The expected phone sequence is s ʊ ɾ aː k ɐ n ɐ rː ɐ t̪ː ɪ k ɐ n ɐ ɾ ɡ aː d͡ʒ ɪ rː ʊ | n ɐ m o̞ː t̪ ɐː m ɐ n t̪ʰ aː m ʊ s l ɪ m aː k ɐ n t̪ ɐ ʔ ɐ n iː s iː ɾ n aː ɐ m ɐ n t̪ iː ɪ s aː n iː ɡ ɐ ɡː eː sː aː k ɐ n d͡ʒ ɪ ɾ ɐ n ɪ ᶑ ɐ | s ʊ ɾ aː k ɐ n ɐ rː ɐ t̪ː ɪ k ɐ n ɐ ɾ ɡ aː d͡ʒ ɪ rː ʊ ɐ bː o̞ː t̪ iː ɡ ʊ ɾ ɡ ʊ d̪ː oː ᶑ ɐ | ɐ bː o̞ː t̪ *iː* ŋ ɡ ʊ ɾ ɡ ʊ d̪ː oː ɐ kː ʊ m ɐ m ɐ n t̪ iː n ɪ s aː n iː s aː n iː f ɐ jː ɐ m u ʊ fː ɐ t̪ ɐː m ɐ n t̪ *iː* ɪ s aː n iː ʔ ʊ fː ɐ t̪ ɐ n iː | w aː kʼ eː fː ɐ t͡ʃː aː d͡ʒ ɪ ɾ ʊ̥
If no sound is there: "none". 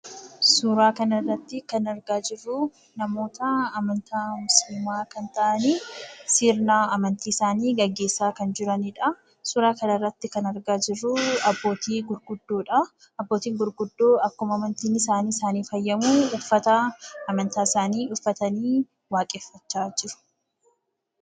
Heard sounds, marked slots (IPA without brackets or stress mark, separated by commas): iː, aː